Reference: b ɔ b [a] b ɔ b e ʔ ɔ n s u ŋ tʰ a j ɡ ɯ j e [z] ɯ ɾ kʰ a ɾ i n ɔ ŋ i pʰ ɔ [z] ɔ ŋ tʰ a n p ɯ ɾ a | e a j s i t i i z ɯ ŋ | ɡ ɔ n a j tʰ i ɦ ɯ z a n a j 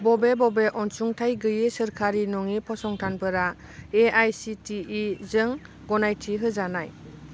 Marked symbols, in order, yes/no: no, no, no

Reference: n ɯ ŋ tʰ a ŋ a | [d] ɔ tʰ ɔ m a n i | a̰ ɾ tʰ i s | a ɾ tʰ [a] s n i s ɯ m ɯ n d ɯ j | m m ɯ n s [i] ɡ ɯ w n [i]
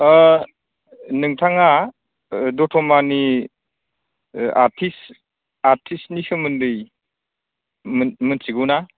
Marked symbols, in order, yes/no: yes, no, yes, no

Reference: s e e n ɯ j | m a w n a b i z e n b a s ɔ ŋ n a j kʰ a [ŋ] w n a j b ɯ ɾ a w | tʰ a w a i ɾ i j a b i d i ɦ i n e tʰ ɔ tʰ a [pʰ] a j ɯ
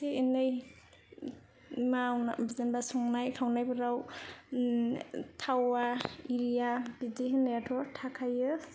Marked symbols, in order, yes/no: no, no

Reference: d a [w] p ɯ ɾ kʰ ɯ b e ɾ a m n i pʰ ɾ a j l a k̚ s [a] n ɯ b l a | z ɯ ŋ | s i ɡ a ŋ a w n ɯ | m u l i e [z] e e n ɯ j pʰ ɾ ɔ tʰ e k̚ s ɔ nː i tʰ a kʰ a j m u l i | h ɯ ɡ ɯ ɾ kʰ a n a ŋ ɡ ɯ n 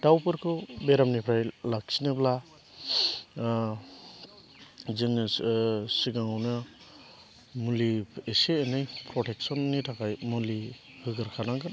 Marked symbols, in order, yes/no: yes, no, no

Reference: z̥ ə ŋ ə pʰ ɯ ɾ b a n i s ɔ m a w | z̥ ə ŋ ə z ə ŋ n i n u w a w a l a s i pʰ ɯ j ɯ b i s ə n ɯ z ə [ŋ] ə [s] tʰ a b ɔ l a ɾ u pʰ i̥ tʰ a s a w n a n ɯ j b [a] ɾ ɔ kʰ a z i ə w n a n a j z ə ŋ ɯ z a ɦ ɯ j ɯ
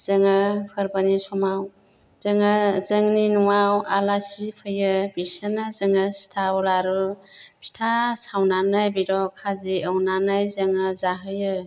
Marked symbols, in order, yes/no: yes, yes, no

